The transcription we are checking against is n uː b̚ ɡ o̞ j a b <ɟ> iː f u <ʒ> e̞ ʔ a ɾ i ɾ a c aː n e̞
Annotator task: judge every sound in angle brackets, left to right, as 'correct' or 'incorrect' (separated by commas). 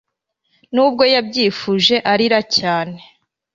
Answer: correct, correct